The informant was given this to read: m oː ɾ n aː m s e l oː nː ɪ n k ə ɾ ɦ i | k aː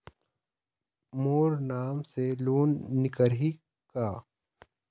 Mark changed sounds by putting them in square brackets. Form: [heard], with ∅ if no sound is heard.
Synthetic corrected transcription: m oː ɾ n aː m s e l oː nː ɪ [∅] k ə ɾ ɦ i | k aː